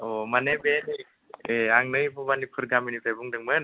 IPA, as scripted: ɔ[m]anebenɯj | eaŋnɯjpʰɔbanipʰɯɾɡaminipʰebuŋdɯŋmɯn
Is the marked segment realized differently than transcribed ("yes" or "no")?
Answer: no